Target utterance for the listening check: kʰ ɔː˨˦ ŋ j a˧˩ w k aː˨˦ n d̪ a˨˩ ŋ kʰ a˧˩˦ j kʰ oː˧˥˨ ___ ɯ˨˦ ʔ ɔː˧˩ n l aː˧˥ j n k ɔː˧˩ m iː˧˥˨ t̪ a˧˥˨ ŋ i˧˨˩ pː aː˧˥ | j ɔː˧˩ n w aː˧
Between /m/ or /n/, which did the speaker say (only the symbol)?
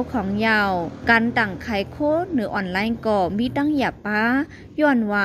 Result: n